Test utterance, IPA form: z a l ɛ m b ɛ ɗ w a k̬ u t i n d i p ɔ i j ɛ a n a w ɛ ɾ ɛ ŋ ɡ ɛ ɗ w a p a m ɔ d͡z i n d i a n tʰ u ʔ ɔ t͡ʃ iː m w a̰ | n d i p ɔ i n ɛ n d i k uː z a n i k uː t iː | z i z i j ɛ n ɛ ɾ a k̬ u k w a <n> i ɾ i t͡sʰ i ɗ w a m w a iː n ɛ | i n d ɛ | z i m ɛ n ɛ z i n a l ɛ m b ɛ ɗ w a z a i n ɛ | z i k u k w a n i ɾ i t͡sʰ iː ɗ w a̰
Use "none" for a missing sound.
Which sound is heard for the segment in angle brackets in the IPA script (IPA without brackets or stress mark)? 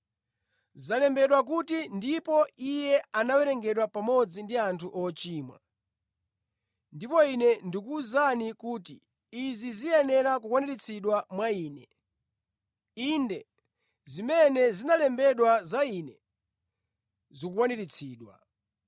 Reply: n